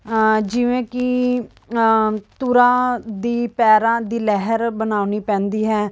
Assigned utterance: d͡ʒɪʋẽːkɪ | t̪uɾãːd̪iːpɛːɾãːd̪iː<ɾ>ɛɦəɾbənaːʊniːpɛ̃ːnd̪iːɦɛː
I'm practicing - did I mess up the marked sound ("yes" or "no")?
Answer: yes